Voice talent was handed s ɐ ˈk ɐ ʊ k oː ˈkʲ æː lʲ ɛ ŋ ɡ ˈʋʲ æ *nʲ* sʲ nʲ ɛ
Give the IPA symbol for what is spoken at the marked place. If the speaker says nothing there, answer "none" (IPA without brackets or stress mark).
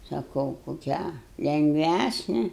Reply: none